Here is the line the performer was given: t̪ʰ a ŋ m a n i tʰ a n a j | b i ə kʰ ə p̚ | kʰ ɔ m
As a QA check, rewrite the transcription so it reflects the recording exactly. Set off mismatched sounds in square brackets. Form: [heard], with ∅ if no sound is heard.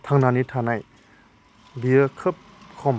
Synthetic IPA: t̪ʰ a ŋ [n] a n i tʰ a n a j | b i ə kʰ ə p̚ | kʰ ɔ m